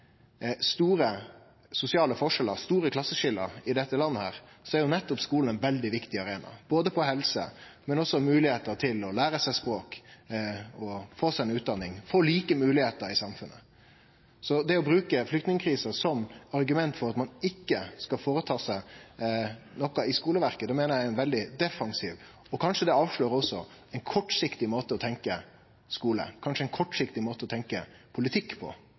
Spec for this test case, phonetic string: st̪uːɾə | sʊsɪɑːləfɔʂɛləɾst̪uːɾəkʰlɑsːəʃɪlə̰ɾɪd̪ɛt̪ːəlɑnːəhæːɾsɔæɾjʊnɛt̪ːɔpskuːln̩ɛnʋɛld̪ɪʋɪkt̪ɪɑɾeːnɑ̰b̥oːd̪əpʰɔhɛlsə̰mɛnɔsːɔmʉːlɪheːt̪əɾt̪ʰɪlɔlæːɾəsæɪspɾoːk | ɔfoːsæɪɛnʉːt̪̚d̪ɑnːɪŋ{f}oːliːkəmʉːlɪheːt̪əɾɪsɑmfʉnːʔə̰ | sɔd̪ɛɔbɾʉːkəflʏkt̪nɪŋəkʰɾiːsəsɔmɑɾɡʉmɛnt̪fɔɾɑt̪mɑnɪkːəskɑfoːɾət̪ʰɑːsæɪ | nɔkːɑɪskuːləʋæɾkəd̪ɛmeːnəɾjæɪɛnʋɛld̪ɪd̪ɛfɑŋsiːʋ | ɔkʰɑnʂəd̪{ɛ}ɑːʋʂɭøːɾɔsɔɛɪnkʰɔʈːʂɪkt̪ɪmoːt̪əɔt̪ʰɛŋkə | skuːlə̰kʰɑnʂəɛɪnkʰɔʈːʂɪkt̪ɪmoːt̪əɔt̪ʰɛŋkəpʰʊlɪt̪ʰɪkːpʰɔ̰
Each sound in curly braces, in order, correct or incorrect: correct, correct

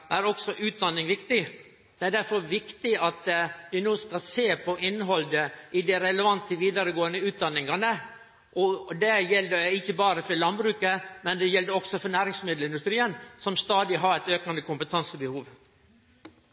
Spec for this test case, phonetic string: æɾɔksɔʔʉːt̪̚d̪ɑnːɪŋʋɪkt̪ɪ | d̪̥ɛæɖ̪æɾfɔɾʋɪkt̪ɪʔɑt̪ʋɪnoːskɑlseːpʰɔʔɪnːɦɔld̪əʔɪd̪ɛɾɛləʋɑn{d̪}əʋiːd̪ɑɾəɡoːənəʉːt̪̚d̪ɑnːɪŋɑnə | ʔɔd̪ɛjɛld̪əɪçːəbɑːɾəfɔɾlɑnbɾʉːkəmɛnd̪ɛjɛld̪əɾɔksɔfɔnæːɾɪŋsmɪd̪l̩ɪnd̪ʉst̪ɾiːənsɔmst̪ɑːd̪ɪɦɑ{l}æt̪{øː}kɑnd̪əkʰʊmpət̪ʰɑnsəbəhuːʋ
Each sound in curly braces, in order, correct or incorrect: incorrect, incorrect, correct

